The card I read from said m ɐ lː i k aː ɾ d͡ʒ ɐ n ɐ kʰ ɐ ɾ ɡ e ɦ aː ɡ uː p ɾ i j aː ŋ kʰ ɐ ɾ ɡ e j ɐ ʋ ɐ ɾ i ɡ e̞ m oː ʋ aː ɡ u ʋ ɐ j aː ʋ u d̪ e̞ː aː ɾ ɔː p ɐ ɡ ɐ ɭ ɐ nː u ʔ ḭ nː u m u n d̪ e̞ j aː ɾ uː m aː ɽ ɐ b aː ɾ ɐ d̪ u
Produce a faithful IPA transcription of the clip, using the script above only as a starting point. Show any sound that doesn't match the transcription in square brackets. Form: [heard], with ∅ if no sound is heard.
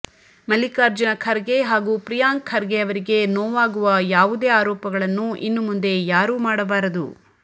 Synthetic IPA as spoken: m ɐ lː i k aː ɾ d͡ʒ ɐ n ɐ kʰ ɐ ɾ ɡ e ɦ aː ɡ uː p ɾ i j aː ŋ kʰ ɐ ɾ ɡ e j ɐ ʋ ɐ ɾ i ɡ e̞ [n] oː ʋ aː ɡ u ʋ ɐ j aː ʋ u d̪ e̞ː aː ɾ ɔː p ɐ ɡ ɐ ɭ ɐ nː u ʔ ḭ nː u m u n d̪ e̞ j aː ɾ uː m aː ɽ ɐ b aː ɾ ɐ d̪ u